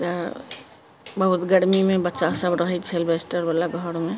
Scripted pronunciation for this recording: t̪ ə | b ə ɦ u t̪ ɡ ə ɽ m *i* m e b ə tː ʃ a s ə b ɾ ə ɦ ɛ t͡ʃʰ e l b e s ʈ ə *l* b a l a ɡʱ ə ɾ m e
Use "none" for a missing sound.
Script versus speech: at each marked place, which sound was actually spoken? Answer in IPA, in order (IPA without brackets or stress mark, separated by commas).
i, ɾ